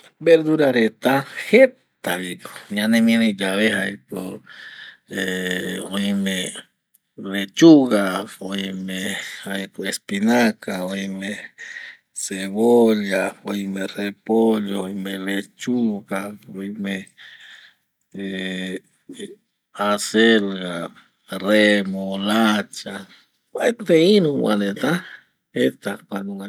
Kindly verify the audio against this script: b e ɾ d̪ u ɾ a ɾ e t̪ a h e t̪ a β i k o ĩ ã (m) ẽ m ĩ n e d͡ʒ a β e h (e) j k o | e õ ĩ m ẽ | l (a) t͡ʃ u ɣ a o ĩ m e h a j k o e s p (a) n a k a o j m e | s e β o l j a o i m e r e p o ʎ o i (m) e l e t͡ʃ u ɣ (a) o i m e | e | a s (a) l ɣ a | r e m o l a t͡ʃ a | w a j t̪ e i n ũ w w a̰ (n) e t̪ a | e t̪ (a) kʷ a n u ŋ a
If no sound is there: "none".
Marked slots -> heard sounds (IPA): n, a, e, i, m, a, e, n, a

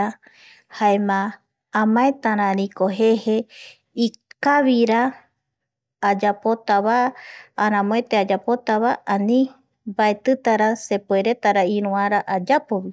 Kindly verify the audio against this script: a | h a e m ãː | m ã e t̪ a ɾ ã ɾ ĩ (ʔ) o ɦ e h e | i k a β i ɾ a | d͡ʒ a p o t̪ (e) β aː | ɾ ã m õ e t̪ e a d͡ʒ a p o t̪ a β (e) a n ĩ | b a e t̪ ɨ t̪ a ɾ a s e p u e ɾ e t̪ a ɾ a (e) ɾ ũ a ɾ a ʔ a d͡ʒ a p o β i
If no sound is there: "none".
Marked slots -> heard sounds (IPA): k, a, a, i

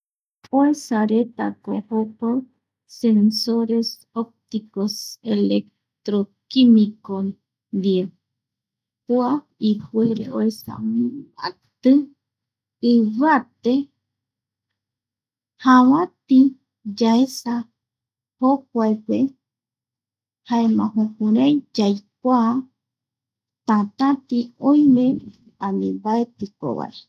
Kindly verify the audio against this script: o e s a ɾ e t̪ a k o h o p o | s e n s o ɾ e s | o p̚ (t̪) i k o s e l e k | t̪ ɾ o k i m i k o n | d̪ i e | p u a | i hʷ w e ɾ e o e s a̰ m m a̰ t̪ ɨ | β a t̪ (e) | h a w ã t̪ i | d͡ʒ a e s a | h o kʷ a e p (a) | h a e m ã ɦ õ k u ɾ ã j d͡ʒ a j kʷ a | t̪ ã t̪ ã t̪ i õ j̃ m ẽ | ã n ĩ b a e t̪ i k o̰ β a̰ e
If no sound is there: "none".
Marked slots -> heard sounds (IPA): t̪, e, e

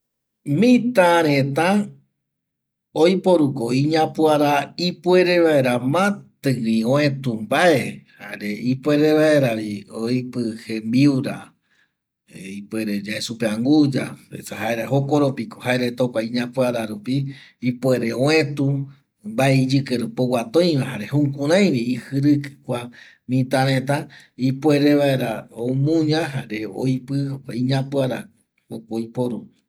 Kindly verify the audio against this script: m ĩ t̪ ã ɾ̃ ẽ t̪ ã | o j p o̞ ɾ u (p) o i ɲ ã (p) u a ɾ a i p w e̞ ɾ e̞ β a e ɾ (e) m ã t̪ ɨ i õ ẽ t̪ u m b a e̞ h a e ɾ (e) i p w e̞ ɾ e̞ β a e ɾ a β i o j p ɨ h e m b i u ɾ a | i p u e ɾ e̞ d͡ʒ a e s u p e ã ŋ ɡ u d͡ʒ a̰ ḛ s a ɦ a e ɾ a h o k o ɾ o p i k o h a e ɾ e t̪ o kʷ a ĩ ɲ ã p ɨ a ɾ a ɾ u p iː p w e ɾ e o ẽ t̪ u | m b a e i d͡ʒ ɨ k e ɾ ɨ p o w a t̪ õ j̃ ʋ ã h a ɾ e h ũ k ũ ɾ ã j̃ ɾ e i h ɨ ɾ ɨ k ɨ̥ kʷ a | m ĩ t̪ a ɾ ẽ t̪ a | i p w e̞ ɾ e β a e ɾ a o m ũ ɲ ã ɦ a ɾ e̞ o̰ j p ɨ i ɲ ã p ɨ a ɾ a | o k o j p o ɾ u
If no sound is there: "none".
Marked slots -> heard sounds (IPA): k, p, a, e

